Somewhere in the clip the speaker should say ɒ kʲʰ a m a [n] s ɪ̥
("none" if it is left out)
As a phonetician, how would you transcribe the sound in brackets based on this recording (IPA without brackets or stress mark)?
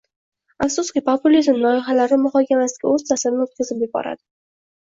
none